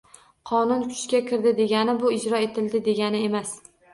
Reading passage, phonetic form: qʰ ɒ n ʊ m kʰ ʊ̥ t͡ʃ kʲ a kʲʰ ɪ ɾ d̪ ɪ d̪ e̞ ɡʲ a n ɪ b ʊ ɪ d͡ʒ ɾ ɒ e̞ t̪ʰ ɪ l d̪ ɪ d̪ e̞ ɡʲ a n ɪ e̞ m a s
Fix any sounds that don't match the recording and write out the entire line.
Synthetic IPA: qʰ ɒ n ʊ n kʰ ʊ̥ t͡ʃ kʲ a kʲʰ ɪ ɾ d̪ ɪ d̪ e̞ ɡʲ a n ɪ b ʊ ɪ d͡ʒ ɾ ɒ e̞ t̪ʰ ɪ l d̪ ɪ d̪ e̞ ɡʲ a n ɪ e̞ m a s